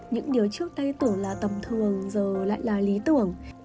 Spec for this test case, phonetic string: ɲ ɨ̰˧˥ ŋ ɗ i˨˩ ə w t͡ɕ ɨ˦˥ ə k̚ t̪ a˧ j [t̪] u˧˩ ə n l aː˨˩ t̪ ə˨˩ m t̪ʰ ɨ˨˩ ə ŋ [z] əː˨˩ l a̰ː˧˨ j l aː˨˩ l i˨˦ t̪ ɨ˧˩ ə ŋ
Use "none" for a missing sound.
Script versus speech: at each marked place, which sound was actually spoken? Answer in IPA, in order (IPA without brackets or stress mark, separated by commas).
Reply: t̪, z